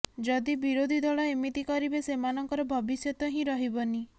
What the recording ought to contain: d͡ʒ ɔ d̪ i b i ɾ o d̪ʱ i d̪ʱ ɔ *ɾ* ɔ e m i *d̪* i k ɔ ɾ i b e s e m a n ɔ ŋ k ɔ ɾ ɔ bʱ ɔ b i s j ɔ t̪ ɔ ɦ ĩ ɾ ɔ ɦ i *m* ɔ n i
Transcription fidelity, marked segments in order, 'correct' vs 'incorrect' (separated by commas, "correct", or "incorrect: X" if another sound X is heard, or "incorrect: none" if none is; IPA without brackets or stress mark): incorrect: ɭ, incorrect: t̪, incorrect: b